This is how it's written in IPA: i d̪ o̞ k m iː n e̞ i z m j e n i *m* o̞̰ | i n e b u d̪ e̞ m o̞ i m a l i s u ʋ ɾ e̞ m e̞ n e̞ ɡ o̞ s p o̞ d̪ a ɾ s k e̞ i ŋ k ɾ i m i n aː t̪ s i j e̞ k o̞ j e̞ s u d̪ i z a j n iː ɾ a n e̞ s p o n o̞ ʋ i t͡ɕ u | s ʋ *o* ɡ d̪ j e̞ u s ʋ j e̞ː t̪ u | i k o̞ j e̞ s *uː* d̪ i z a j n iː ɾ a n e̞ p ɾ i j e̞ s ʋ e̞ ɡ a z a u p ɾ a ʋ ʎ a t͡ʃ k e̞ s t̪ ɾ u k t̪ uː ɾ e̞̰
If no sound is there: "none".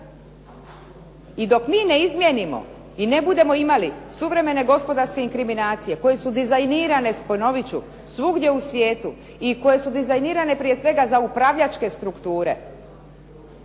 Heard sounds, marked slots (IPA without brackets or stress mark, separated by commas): m, u, u